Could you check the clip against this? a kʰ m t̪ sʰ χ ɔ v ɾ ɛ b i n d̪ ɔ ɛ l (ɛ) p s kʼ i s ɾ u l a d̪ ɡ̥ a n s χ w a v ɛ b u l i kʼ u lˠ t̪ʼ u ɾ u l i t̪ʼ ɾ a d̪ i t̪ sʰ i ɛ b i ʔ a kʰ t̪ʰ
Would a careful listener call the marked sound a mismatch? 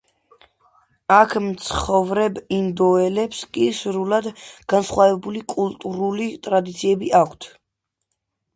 no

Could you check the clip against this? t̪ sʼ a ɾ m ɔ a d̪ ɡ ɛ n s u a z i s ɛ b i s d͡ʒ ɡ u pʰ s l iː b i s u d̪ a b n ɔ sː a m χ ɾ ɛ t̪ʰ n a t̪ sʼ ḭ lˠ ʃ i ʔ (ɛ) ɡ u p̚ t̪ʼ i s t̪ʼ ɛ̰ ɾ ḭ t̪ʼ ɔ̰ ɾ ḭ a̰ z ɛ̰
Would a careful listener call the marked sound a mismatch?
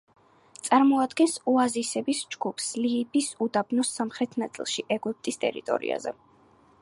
no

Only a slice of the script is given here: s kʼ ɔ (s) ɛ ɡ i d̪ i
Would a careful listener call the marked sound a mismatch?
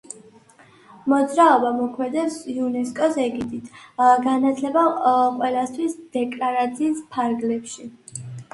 no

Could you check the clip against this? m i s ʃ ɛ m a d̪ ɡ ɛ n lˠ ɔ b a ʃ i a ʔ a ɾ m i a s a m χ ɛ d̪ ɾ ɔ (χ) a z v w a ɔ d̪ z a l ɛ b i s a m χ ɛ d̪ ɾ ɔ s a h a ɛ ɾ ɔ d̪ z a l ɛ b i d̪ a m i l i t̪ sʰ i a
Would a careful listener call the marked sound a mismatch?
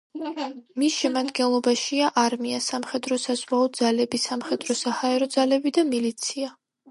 yes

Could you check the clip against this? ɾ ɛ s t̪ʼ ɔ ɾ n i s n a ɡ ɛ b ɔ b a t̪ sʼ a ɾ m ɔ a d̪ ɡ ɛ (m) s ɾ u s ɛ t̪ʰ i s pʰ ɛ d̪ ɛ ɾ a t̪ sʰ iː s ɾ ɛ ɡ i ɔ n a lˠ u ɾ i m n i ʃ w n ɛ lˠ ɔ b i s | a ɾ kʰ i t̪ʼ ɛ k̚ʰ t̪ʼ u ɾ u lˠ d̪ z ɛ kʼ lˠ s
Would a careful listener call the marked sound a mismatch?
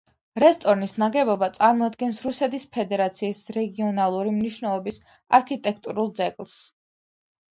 yes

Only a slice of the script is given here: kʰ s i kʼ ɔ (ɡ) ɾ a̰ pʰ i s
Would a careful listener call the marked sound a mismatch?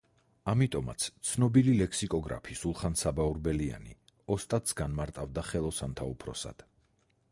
no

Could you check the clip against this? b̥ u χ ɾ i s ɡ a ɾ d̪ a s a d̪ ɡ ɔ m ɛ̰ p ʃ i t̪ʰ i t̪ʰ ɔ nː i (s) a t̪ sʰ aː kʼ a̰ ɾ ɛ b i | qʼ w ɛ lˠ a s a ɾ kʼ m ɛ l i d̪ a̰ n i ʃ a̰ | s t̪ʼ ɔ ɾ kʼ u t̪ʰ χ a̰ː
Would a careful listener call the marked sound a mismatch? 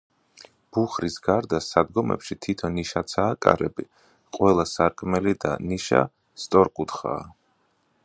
yes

